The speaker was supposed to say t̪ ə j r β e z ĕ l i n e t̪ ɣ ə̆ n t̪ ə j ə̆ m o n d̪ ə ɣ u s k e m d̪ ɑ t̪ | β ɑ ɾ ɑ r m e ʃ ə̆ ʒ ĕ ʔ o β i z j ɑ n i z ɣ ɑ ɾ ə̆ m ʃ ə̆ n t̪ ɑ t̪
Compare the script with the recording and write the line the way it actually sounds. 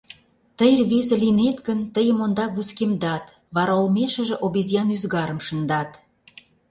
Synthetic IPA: t̪ ə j r β e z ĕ l i n e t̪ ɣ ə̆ n t̪ ə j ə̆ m o n d̪ ɑ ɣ u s k e m d̪ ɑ t̪ | β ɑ ɾ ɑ l m e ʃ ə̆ ʒ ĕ ʔ o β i z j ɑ n y z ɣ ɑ ɾ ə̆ m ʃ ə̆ n d̪ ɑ t̪